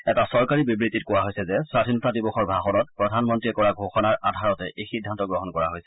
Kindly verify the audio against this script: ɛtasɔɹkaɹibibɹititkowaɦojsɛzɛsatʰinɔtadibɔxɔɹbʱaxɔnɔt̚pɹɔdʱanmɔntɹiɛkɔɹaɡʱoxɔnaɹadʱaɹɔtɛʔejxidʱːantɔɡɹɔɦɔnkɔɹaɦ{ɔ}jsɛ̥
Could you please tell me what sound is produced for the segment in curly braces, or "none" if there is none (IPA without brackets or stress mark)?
o